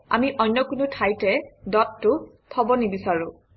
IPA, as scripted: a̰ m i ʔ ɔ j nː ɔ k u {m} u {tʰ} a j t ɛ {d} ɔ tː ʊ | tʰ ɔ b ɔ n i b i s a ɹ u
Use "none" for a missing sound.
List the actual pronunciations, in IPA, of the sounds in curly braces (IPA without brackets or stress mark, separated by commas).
n, tʰ, d